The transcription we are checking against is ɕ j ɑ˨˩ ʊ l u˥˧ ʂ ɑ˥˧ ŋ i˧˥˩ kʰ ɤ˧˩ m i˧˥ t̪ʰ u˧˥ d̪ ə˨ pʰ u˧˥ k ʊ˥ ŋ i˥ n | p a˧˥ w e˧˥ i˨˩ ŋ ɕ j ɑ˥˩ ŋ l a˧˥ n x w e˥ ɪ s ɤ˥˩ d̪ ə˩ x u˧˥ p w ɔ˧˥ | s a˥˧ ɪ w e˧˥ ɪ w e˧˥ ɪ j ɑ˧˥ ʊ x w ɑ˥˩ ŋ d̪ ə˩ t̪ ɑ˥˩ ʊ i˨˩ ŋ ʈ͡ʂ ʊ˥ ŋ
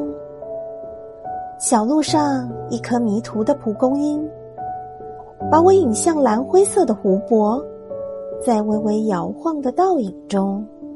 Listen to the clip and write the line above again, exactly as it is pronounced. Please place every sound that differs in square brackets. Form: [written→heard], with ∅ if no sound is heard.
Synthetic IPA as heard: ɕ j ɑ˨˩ ʊ l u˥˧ ʂ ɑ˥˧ ŋ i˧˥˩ kʰ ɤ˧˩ m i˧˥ t̪ʰ u˧˥ d̪ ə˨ pʰ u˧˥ k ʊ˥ ŋ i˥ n | p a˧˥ w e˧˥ i˨˩ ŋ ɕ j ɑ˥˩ ŋ l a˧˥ n x w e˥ ɪ s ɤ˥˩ d̪ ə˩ x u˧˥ p w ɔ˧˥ | [s→t͡s] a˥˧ ɪ w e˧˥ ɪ w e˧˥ ɪ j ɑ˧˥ ʊ x w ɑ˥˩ ŋ d̪ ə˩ t̪ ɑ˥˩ ʊ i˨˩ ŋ ʈ͡ʂ ʊ˥ ŋ